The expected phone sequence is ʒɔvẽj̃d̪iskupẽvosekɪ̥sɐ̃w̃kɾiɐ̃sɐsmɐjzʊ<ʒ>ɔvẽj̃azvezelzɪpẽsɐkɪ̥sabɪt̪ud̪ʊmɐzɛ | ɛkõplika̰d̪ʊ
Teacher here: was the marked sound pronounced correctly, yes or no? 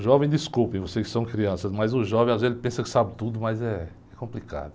yes